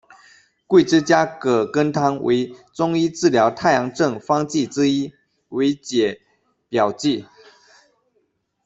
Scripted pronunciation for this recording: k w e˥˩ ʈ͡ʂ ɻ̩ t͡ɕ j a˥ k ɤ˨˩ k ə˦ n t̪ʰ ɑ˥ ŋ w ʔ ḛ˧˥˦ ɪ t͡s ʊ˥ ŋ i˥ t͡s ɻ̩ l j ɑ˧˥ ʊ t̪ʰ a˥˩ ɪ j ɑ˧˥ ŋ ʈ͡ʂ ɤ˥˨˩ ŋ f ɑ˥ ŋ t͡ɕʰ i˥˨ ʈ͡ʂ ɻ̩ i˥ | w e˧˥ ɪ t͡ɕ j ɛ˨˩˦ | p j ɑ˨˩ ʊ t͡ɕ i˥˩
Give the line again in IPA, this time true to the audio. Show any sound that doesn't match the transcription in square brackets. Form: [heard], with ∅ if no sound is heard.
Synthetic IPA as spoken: k w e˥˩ ʈ͡ʂ ɻ̩ t͡ɕ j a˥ k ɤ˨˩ k ə˦ n t̪ʰ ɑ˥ ŋ w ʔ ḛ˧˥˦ ɪ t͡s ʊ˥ ŋ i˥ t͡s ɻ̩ l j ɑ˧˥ ʊ t̪ʰ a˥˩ ɪ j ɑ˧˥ ŋ ʈ͡ʂ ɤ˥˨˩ ŋ f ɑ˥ ŋ [t͡ɕ] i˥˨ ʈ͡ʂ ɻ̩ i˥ | w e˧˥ ɪ t͡ɕ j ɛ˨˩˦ | p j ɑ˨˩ ʊ t͡ɕ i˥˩